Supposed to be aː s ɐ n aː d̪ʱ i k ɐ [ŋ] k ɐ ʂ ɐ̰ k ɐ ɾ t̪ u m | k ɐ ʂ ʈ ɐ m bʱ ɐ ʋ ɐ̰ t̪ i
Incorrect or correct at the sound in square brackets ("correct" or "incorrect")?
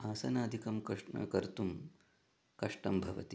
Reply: incorrect